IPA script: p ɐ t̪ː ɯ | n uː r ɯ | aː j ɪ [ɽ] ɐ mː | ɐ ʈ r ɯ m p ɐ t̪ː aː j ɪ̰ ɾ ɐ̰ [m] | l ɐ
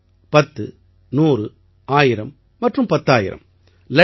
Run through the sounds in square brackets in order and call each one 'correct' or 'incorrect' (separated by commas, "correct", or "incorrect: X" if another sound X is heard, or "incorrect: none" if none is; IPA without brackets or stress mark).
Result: incorrect: ɾ, correct